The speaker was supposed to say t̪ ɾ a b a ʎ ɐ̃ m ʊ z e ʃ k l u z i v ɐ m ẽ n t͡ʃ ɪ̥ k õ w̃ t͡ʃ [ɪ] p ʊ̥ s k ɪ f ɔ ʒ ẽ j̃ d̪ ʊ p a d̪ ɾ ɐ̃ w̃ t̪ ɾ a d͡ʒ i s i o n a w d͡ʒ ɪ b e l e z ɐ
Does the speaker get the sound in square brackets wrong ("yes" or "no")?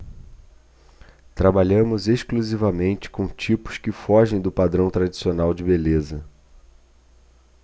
yes